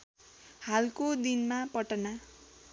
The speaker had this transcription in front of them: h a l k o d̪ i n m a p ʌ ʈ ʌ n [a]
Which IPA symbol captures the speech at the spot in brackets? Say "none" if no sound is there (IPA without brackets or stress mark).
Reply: a